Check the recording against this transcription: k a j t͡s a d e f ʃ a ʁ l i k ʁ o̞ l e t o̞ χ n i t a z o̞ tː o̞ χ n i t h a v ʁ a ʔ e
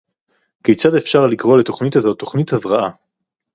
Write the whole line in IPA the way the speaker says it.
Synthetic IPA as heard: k e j t͡s a d e f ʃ a ʁ l i k ʁ o̞ l e t o̞ χ n i t a z o̞ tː o̞ χ n i t h a v ʁ a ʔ a